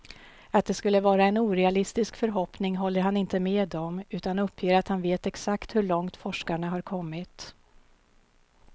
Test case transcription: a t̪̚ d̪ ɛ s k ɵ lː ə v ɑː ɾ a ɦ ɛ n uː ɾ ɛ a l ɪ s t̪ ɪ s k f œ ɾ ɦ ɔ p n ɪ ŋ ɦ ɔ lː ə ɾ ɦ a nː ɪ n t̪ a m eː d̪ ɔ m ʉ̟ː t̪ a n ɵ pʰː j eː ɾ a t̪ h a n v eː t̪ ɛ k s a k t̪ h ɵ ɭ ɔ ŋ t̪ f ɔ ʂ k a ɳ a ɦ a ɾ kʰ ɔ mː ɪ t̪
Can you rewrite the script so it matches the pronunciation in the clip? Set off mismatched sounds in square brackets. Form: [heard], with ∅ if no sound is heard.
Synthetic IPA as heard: a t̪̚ d̪ ɛ s k ɵ lː ə v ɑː ɾ a [∅] ɛ n uː ɾ ɛ a l ɪ s t̪ ɪ s k f œ ɾ ɦ ɔ p n ɪ ŋ ɦ ɔ lː ə ɾ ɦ a [n] ɪ n t̪ [ə] m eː d̪ ɔ m ʉ̟ː t̪ a n ɵ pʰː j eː ɾ a t̪ h a n v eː t̪ ɛ k s a k t̪ h ɵ ɭ ɔ ŋ t̪ f ɔ ʂ k a ɳ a ɦ a ɾ kʰ ɔ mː ɪ t̪